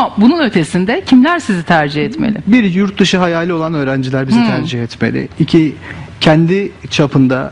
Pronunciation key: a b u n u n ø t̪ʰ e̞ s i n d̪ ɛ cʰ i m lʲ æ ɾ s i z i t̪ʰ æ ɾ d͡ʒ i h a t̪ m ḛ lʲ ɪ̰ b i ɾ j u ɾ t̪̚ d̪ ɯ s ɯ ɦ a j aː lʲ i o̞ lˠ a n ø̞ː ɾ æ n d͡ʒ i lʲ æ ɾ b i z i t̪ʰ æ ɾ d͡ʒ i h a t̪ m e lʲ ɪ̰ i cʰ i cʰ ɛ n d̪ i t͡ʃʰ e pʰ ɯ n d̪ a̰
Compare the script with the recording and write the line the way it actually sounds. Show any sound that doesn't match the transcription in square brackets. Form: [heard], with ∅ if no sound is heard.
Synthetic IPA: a b u n u n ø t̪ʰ e̞ s i n d̪ ɛ cʰ i m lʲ æ ɾ s i z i t̪ʰ æ ɾ d͡ʒ i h [ɛ] t̪ m ḛ lʲ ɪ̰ b i ɾ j u ɾ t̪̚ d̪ ɯ [ʃ] ɯ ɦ a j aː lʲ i o̞ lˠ a n ø̞ː ɾ æ n d͡ʒ i lʲ æ ɾ b i z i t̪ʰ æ ɾ d͡ʒ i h [ɛ] t̪ m e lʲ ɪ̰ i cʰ i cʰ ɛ n d̪ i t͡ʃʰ [a] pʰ ɯ n d̪ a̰